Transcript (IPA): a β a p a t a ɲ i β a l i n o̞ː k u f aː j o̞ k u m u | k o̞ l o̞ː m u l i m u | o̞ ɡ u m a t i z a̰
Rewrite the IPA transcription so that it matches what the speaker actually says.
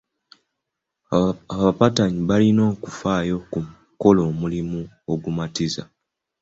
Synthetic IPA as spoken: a β a p a t a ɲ i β a l i n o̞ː k u f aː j o̞ k u m u | k o̞ l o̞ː m u l i m u | o̞ ɡ u m a t i z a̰